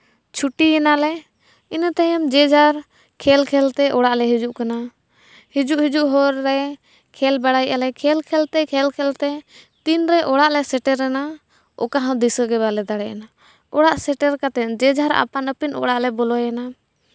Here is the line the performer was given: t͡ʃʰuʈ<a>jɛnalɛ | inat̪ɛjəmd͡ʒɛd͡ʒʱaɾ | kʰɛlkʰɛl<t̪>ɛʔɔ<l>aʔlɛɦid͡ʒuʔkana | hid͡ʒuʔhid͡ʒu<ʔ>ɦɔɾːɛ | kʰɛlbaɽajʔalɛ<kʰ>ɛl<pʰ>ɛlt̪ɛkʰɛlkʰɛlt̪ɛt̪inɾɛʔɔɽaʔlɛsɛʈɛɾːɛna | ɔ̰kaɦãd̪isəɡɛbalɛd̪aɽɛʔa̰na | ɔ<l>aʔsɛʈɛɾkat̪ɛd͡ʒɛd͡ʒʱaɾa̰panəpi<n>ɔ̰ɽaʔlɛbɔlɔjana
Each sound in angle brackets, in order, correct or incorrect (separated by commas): incorrect, correct, incorrect, correct, correct, incorrect, incorrect, correct